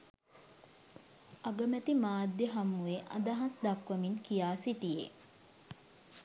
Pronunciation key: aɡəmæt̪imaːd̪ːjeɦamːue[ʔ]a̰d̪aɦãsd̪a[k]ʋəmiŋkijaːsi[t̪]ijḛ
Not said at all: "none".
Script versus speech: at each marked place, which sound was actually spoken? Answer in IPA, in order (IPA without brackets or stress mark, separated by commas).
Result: ʔ, k, t̪